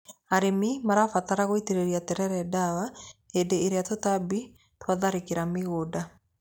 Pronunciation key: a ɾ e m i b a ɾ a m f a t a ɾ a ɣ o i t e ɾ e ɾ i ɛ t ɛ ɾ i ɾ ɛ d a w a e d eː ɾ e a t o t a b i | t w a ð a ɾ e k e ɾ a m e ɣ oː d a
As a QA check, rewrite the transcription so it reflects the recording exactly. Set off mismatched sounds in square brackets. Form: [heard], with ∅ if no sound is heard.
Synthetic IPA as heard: a ɾ e m i [m] a ɾ a [∅] f a t a ɾ a ɣ o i t e ɾ e ɾ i [a] t ɛ ɾ [ɛ] ɾ ɛ d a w a e d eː ɾ e a t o t a b i | t w a ð a ɾ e k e ɾ a m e ɣ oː d a